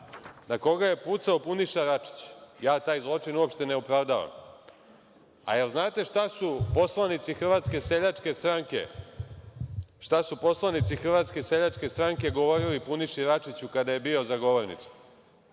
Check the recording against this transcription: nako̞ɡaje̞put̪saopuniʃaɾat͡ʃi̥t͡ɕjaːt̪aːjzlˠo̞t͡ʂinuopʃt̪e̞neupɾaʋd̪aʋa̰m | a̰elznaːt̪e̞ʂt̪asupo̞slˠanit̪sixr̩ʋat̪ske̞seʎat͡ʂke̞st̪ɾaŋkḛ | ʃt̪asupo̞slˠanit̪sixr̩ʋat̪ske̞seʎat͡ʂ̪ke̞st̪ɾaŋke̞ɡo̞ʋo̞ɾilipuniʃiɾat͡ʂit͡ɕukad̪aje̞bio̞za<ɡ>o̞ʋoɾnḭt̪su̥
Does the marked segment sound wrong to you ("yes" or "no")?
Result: no